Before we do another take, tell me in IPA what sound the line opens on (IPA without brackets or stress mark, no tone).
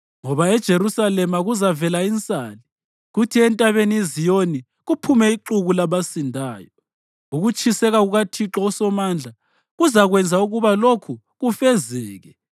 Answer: ŋ